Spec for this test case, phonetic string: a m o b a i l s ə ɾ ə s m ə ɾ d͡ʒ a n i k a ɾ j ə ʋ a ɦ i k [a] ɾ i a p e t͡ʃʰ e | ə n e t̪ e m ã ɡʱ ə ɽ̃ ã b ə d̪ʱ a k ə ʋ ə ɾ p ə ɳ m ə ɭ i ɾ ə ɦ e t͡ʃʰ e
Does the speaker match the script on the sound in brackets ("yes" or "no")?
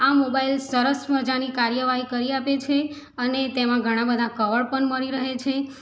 no